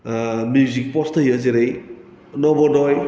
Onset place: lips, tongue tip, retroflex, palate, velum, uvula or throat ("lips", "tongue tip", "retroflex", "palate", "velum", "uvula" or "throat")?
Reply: lips